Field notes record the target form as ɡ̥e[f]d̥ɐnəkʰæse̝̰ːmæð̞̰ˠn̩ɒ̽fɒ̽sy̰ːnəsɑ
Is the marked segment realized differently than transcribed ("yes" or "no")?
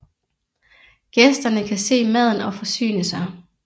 yes